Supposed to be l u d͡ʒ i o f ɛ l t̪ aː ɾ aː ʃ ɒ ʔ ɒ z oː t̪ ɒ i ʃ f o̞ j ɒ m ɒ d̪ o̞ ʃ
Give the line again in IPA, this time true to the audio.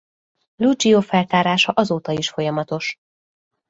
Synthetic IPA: l u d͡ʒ i o f ɛ l t̪ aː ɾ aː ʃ ɒ ʔ ɒ z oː t̪ ɒ i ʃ f o̞ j ɒ m ɒ t̪ o̞ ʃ

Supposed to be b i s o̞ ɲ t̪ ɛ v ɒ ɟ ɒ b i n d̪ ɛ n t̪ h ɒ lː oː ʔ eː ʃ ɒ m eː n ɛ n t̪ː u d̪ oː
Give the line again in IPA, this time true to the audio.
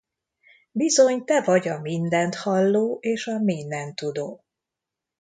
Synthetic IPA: b i z o̞ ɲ t̪ ɛ v ɒ ɟ ɒ m i n d̪ ɛ n t̪ h ɒ lː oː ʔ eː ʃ ɒ m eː n ɛ n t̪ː u d̪ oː

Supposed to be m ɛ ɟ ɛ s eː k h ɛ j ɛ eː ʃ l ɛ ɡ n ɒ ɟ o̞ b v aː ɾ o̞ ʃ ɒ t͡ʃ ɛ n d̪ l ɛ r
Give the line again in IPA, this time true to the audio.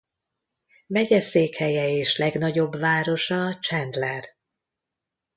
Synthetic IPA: m ɛ ɟ ɛ s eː k h ɛ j ɛ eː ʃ l ɛ ɡ n ɒ ɟ o̞ b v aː ɾ o̞ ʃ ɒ t͡ʃ ɛ n d̪ l ɛ r

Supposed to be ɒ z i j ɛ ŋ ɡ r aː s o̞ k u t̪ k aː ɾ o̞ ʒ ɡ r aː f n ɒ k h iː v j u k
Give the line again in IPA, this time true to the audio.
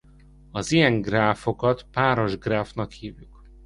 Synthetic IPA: ɒ z i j ɛ ŋ ɡ r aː f o̞ k ɒ t̪ p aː ɾ o̞ ʒ ɡ r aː f n ɒ k h iː v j u k

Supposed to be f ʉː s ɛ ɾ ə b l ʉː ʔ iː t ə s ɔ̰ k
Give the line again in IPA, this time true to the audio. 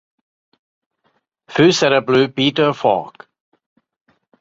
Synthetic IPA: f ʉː s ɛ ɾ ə b l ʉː p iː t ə f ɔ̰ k

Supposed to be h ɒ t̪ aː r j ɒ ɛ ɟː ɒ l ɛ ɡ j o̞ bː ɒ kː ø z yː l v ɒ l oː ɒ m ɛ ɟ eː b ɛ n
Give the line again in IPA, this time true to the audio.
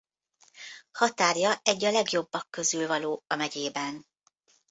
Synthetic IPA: h ɒ t̪ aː r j ɒ ɛ ɟː ɒ l ɛ ɡ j o̞ bː ɒ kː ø z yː l v ɒ l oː ɒ m ɛ ɟ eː b ɛ n

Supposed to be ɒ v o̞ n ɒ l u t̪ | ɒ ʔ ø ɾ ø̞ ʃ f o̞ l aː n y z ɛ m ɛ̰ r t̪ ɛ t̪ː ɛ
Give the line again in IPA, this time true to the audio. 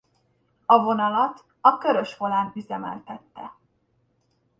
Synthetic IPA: ɒ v o̞ n ɒ l ɒ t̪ | ɒ k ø ɾ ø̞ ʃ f o̞ l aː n y z ɛ m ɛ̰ l t̪ ɛ t̪ː ɛ

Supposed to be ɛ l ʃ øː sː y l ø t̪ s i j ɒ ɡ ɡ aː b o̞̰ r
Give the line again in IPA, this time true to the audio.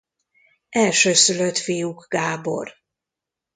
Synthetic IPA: ɛ l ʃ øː s y l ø t̪ f i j u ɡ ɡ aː b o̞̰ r

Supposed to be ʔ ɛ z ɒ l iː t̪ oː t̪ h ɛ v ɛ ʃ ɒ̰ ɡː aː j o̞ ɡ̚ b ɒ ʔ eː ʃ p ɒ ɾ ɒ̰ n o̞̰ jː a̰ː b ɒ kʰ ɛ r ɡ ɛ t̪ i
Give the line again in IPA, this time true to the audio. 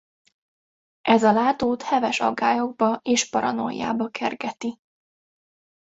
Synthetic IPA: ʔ ɛ z ɒ l aː t̪ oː t̪ h ɛ v ɛ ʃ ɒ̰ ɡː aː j o̞ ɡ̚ b ɒ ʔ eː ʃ p ɒ ɾ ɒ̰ n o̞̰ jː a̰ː b ɒ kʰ ɛ r ɡ ɛ t̪ i

